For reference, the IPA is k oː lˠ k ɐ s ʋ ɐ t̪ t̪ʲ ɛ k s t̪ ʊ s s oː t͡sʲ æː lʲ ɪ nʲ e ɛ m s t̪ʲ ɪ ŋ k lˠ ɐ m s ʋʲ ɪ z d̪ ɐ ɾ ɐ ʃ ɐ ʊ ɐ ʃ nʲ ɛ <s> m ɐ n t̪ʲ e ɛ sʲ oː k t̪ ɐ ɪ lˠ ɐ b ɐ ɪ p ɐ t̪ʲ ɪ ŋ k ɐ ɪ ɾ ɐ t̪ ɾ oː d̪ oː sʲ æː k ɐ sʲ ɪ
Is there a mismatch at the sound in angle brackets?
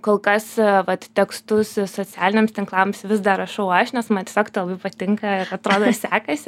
no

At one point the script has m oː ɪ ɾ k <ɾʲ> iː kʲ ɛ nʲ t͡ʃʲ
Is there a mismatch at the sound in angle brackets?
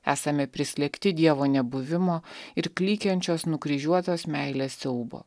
yes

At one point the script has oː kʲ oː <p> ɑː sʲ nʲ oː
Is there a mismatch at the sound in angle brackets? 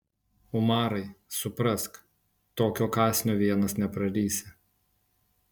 yes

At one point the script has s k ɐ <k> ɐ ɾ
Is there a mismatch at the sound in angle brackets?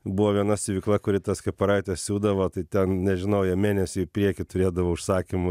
yes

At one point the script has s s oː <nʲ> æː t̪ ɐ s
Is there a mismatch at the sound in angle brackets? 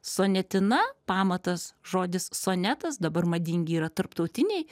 no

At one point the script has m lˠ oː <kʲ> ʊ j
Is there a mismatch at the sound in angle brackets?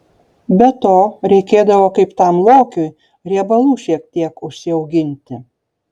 no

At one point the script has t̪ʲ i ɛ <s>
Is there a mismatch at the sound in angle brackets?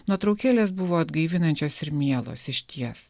no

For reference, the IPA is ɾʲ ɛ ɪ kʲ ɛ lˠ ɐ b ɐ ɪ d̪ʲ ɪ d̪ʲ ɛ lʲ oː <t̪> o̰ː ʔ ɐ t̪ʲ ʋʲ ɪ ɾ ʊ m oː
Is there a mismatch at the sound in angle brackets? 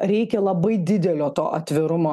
no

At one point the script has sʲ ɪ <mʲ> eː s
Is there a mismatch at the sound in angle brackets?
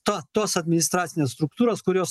yes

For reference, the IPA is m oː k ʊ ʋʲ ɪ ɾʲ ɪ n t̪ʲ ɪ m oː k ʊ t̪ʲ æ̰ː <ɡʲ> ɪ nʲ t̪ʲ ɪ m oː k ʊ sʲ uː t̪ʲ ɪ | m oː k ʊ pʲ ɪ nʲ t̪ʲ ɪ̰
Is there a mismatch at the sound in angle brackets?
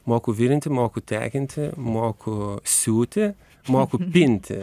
yes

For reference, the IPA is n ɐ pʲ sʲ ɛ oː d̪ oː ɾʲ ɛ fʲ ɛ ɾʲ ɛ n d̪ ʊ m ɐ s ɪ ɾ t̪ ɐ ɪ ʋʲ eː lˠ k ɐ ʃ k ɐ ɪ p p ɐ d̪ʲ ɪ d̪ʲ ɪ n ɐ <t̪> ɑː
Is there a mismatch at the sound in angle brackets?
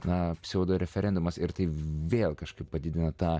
no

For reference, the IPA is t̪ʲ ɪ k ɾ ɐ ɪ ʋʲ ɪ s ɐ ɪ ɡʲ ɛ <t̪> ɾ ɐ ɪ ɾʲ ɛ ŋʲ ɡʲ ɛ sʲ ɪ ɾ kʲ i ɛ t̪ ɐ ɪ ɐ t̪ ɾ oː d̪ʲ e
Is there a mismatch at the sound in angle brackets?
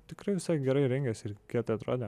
yes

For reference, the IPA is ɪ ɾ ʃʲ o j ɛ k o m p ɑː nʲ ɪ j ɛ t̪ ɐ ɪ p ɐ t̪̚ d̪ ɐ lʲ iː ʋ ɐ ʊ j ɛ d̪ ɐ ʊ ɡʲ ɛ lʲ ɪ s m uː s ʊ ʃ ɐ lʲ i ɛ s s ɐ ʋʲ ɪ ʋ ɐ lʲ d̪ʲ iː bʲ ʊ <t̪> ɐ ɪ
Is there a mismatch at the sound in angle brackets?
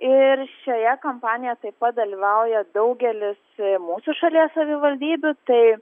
no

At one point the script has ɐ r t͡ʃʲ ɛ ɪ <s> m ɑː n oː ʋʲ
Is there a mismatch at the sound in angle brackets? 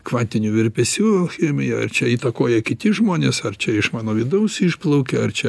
yes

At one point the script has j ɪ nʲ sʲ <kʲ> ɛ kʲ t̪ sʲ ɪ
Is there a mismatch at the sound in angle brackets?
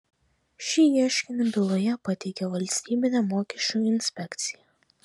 yes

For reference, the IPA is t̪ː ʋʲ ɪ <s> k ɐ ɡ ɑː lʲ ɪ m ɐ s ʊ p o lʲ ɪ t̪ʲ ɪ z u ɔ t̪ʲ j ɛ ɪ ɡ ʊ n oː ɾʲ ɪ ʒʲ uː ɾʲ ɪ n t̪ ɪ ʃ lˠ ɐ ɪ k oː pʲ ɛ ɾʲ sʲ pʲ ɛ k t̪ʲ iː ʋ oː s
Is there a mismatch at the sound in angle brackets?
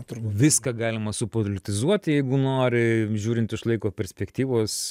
no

